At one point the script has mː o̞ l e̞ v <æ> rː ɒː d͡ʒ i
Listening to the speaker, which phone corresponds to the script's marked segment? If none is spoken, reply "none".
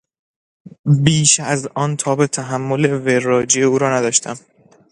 e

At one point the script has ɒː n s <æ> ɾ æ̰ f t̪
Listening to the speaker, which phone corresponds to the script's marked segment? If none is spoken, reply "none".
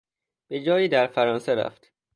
e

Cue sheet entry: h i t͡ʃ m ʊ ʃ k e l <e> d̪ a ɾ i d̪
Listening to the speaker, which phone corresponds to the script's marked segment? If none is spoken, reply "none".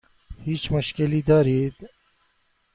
i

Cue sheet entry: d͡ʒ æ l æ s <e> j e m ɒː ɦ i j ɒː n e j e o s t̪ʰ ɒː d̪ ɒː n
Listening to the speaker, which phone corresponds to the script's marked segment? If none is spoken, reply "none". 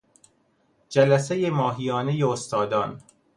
e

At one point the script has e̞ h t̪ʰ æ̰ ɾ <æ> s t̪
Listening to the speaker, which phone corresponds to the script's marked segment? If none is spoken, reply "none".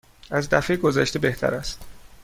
æ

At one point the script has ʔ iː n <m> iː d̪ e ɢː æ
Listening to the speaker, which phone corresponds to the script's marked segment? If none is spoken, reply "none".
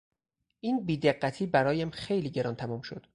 b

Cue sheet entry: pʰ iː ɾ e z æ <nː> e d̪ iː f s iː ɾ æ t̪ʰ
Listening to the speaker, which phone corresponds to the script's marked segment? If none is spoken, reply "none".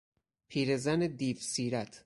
n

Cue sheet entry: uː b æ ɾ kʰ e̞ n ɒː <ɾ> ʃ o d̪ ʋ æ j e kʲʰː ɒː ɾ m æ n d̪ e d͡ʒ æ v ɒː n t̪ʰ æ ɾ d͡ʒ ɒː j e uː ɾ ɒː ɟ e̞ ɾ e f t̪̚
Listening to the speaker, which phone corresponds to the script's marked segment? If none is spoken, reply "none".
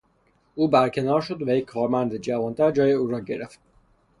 ɾ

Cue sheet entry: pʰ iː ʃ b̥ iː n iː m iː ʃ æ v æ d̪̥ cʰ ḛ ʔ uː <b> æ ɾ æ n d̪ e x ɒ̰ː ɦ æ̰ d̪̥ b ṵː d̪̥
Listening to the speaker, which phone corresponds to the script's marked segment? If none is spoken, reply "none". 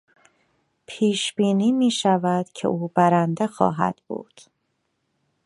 b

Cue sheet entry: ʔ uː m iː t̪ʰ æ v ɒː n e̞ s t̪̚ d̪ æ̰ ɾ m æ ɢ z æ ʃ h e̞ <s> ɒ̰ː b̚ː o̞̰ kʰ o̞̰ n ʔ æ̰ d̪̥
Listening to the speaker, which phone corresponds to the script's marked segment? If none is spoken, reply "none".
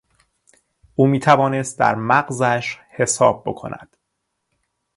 s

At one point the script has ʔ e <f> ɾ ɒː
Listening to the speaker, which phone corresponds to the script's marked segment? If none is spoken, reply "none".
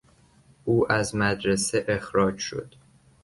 x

